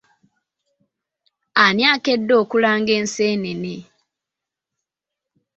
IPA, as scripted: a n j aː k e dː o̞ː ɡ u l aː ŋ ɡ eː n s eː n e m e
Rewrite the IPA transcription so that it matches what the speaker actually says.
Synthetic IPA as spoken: a n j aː k e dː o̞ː k u l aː ŋ ɡ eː n s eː n e n e